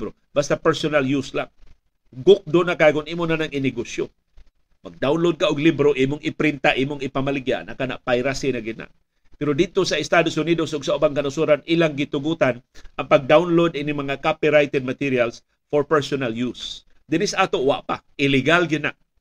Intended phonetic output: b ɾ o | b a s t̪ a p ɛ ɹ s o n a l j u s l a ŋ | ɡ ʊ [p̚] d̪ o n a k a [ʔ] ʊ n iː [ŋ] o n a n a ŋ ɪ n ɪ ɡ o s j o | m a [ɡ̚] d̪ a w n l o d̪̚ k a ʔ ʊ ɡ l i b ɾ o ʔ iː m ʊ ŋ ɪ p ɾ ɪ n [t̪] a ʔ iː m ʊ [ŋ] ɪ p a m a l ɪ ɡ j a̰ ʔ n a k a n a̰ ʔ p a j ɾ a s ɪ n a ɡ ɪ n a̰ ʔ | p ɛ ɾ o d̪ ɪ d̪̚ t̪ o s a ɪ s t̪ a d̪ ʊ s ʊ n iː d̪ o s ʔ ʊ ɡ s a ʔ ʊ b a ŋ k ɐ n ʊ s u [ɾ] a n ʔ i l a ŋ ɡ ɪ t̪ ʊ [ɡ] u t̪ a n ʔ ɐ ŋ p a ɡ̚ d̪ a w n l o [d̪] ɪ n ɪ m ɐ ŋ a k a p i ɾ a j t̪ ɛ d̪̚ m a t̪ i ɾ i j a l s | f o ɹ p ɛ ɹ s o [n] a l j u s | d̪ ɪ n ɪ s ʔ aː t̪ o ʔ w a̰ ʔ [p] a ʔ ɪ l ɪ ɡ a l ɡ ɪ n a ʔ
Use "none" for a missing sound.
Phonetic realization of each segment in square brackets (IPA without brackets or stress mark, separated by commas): k̚, k, m, ɡ̚, t̪, ŋ, ɾ, ɡ, d̪, n, p